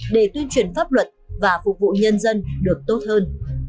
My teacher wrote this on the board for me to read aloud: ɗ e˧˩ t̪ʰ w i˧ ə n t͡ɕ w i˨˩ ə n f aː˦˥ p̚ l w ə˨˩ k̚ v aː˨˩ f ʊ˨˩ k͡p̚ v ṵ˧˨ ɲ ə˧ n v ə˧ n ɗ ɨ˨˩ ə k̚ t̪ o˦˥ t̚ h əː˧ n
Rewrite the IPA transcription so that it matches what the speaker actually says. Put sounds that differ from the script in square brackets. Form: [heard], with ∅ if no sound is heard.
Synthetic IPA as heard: ɗ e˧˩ [t̪] w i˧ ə n t͡ɕ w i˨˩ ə n f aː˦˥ p̚ l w ə˨˩ [t̚] v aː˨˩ f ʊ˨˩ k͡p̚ v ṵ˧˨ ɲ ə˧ n [z] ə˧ n ɗ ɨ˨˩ ə k̚ t̪ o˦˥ t̚ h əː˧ n